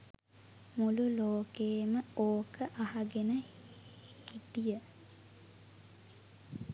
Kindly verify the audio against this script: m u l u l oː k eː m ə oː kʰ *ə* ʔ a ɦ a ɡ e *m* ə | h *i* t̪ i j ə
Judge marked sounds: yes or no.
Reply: yes, no, yes

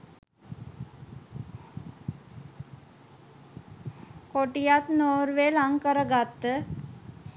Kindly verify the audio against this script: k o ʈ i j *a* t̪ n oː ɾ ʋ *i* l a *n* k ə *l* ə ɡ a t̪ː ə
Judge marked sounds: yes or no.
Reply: yes, no, no, no

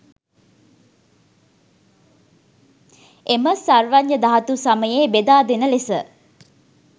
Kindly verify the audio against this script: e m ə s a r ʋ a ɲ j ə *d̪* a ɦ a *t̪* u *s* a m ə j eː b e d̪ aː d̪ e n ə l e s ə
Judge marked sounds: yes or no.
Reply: yes, yes, yes

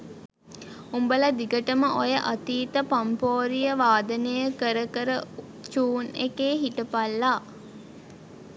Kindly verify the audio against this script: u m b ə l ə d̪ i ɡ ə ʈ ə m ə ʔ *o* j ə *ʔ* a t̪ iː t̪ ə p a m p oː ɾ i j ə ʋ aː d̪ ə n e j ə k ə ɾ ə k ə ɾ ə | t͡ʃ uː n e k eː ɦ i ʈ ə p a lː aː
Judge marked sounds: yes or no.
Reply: yes, yes

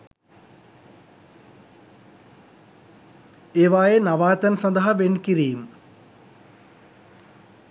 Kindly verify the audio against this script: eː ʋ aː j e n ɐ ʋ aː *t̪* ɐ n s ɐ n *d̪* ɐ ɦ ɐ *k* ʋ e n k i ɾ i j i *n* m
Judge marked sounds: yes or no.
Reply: yes, yes, no, no

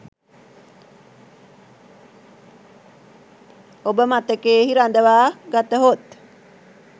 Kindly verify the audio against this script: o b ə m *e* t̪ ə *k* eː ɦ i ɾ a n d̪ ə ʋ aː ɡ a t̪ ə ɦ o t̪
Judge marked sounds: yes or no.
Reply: no, yes

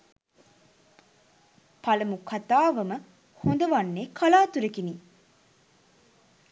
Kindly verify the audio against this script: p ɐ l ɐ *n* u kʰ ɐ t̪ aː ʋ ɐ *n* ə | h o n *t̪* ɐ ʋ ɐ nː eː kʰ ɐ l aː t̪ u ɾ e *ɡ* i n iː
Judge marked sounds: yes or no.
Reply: no, no, no, no

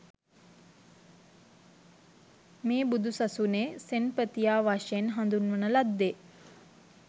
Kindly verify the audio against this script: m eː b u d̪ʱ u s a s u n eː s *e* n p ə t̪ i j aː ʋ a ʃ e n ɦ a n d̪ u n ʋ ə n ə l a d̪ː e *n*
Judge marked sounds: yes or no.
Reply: yes, no

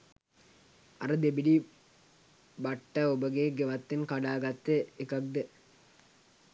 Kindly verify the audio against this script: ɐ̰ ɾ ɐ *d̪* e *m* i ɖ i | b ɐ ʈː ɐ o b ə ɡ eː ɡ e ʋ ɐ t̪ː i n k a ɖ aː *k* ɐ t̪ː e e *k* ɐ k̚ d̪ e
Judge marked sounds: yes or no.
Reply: yes, no, no, yes

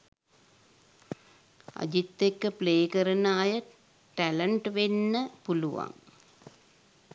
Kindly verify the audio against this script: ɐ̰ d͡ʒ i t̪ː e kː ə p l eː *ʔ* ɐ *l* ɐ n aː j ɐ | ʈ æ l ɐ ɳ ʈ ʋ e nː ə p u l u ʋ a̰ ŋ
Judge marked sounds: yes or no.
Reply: no, no

